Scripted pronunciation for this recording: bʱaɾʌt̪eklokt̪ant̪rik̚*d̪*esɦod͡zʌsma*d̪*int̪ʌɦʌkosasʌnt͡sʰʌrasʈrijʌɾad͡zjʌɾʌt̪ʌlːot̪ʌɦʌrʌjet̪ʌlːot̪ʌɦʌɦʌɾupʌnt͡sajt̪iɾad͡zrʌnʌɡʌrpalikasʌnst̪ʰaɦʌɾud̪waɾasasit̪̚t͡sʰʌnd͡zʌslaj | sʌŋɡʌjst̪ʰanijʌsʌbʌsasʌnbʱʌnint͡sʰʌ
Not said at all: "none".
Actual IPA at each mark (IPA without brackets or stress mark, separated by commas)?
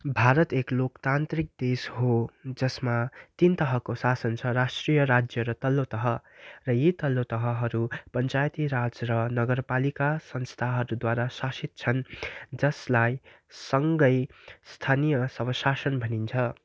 d̪, t̪